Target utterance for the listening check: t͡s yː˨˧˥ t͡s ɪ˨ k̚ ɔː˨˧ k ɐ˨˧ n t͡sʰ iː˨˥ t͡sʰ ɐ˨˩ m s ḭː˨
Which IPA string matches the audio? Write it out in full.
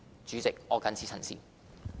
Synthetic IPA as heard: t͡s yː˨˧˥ t͡s ɪ˨ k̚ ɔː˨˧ k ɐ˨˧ n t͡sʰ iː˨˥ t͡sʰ ɐ˨˩ n s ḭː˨